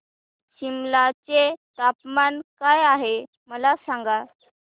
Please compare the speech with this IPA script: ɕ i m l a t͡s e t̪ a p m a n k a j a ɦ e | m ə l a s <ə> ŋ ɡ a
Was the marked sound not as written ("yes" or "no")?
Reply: yes